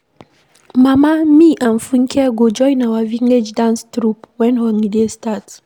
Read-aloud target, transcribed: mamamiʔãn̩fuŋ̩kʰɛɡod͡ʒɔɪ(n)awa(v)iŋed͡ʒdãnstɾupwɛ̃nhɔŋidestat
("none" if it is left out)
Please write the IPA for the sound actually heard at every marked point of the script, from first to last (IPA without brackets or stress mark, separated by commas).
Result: n, v